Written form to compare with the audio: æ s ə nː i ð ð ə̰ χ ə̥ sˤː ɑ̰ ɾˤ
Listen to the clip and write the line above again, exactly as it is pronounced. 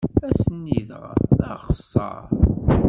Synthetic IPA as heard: æ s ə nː i ð ʁ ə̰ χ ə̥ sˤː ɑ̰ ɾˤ